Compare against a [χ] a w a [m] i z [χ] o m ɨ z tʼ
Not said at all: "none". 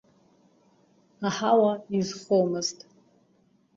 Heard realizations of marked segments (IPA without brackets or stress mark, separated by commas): ħ, none, χ